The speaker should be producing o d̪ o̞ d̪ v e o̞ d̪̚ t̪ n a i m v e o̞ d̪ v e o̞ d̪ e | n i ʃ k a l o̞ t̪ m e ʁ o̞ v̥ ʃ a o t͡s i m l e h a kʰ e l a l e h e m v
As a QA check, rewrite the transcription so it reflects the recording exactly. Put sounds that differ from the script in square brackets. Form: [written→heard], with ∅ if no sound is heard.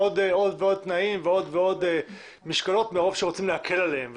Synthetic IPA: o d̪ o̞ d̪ v e o̞ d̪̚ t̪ n a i m v e o̞ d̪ v e o̞ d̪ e | [n→m] i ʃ k a l o̞ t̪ m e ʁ o̞ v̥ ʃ [a→e] o t͡s i m l e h a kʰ e l a l e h e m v